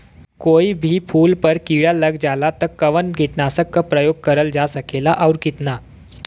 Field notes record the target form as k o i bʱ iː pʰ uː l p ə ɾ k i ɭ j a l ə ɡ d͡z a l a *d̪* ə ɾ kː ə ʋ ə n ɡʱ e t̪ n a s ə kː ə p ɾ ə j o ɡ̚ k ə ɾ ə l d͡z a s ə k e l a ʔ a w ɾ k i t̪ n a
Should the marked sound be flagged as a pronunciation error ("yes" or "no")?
yes